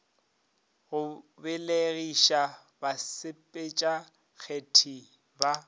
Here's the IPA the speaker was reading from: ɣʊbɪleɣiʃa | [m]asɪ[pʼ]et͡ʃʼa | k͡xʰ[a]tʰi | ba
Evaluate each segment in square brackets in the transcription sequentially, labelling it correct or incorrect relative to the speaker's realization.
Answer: incorrect: b, correct, incorrect: e

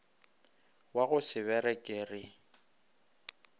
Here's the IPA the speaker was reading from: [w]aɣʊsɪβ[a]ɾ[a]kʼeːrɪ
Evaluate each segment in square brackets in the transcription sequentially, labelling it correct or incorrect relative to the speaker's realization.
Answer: correct, incorrect: ɛ, incorrect: ɛ

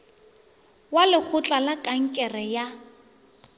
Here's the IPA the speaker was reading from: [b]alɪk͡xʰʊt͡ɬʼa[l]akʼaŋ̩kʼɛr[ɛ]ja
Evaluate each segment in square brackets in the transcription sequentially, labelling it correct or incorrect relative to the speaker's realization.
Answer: incorrect: w, correct, correct

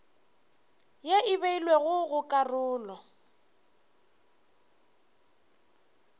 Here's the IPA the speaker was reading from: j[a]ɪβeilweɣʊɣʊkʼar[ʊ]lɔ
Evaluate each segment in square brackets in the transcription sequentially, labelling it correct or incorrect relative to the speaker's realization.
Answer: incorrect: e, incorrect: ʊː

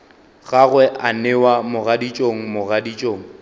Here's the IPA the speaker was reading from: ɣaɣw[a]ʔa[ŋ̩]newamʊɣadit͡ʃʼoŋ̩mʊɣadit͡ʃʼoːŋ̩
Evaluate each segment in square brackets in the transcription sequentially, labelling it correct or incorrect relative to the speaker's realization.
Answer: incorrect: ɛ, incorrect: none

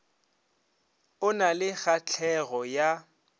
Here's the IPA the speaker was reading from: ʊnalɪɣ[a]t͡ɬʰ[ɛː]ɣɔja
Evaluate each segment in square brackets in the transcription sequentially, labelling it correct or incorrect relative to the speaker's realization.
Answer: correct, incorrect: ɛ

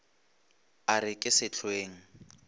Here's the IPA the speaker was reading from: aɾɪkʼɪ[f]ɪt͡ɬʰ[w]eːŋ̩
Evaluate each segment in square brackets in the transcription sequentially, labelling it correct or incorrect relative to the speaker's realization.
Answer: incorrect: s, correct

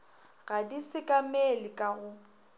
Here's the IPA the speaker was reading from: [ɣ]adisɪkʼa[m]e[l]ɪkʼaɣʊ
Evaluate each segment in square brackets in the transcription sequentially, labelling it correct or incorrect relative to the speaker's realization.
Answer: correct, correct, correct

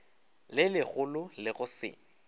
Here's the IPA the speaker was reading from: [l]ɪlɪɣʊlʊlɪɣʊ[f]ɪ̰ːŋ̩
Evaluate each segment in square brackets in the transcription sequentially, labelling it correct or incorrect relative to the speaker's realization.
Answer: correct, incorrect: s

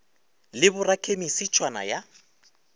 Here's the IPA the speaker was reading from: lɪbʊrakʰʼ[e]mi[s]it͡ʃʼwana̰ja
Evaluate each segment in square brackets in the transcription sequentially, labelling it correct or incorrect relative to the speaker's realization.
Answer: correct, correct

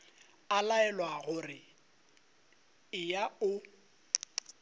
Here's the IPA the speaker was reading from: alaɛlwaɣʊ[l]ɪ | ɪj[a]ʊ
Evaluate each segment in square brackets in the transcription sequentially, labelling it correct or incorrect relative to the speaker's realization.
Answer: incorrect: r, correct

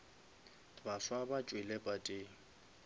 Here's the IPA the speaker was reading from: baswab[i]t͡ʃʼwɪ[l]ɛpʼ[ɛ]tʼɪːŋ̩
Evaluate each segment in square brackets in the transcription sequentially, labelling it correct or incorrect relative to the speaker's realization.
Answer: incorrect: a, correct, incorrect: a

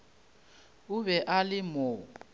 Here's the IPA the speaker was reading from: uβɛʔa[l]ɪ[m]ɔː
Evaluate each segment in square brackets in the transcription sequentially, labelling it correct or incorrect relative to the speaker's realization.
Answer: correct, correct

